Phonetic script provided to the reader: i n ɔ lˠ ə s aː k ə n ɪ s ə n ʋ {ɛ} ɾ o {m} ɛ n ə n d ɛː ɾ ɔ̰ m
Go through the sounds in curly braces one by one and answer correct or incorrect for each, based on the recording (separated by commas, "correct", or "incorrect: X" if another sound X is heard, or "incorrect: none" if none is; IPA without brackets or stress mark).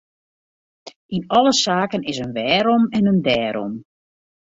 incorrect: ɛː, correct